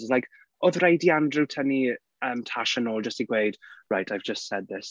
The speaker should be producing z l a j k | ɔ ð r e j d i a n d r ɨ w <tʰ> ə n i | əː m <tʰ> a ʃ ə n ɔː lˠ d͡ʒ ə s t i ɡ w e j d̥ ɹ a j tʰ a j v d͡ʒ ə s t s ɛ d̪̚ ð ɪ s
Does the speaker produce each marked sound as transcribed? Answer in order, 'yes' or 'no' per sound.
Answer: yes, yes

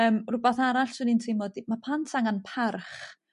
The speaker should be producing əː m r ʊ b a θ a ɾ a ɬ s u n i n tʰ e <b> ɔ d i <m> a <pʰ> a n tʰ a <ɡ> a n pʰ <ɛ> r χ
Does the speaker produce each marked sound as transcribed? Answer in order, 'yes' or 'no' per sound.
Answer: no, yes, yes, no, no

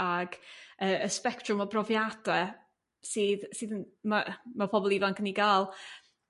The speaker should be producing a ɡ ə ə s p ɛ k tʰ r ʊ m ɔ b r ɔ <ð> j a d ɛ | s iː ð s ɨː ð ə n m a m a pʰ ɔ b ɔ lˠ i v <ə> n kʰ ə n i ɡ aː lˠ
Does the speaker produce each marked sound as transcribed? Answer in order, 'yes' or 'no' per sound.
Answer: no, no

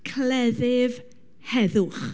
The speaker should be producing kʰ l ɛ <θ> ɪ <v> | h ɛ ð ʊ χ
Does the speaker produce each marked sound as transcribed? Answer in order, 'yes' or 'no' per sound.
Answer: no, yes

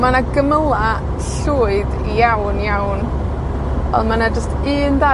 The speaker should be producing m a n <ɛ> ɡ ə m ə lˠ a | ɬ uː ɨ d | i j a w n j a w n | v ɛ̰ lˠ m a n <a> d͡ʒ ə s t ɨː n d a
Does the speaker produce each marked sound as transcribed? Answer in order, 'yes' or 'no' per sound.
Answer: no, yes

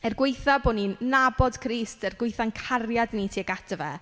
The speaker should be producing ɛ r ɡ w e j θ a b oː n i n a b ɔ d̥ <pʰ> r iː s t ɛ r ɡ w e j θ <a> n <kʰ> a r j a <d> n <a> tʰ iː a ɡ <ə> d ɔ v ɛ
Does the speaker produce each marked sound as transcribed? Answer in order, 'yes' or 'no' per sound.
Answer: no, yes, yes, yes, no, no

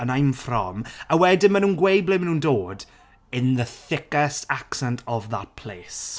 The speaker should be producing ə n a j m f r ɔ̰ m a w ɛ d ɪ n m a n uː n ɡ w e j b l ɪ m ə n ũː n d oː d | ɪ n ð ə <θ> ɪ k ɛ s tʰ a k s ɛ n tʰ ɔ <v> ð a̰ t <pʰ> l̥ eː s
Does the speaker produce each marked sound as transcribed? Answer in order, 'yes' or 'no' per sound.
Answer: yes, yes, yes

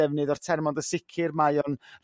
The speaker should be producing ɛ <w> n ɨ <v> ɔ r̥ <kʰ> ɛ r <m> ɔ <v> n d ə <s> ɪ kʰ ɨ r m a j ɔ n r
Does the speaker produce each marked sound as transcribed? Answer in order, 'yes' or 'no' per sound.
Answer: no, no, no, yes, no, yes

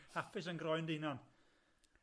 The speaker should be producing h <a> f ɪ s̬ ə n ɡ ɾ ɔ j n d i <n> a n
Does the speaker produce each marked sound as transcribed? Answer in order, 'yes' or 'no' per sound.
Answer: yes, yes

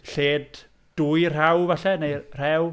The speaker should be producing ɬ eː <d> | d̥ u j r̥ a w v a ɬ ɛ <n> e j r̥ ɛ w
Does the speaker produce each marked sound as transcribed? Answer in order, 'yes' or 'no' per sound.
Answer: yes, yes

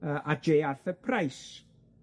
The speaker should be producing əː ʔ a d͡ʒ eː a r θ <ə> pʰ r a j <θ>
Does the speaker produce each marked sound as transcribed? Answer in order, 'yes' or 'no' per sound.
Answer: yes, no

